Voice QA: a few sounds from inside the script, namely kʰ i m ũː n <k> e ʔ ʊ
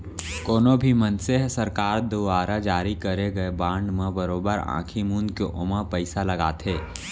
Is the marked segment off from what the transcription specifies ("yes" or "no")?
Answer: no